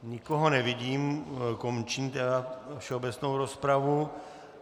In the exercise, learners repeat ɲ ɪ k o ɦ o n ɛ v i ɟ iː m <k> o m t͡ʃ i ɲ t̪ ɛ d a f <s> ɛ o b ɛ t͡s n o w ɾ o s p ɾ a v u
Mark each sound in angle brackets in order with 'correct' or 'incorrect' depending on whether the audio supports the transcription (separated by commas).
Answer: correct, incorrect